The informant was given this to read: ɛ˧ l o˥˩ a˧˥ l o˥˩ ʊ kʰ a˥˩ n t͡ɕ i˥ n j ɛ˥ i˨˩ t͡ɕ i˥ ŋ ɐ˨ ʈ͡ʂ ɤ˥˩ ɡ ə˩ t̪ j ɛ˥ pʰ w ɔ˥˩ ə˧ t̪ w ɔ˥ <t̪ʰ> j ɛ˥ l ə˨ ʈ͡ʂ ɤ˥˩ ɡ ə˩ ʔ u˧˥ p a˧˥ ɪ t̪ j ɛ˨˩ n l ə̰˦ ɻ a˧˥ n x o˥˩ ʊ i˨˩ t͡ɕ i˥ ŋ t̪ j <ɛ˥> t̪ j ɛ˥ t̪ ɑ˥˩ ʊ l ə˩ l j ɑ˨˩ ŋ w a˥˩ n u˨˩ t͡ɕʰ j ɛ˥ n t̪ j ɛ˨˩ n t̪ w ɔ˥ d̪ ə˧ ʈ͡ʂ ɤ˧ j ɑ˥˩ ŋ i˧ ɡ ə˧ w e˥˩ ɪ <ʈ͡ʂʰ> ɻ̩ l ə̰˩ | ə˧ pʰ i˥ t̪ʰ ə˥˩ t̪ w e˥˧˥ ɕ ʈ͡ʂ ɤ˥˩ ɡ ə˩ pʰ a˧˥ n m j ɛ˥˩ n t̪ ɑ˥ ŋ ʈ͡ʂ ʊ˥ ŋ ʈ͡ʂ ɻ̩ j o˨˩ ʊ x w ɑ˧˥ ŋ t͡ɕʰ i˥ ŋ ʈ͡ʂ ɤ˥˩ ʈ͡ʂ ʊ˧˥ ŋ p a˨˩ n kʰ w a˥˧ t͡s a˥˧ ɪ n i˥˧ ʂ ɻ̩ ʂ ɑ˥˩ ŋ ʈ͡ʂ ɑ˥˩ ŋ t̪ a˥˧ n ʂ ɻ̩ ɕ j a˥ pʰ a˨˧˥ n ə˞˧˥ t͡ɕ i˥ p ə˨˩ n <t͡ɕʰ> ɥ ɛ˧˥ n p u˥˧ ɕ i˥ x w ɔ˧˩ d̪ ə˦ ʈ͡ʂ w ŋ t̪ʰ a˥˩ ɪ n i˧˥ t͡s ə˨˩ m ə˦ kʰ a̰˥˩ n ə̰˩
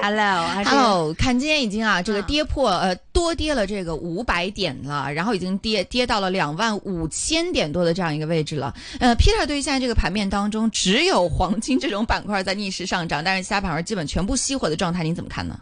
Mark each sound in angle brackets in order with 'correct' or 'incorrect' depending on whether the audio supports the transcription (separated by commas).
incorrect, correct, incorrect, correct